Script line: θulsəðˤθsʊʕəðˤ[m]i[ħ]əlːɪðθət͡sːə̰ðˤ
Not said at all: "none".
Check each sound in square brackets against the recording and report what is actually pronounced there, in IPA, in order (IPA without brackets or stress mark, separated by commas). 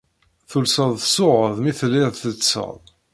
m, θ